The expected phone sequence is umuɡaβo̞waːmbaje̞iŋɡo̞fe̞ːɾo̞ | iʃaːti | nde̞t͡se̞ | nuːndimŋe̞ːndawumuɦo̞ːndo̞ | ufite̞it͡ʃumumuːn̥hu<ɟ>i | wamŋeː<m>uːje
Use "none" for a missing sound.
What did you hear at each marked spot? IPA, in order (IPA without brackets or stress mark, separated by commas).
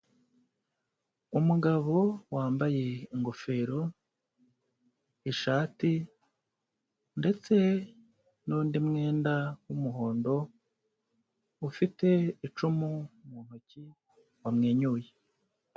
c, ɲ